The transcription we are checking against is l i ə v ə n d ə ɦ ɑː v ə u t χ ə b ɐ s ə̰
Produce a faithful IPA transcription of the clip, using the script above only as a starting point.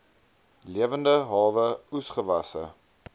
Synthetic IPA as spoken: l i ə v ə n d ə ɦ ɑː v ə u s χ ə v ɐ s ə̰